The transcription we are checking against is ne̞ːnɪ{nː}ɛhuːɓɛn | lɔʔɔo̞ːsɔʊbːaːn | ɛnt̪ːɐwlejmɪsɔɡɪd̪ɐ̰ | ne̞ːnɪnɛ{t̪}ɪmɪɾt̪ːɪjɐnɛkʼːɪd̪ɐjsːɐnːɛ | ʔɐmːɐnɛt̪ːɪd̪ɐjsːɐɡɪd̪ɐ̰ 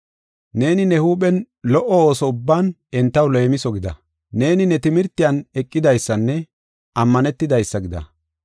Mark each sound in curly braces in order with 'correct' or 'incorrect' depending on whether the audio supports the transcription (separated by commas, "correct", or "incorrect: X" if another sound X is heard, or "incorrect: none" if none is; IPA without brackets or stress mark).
incorrect: n, correct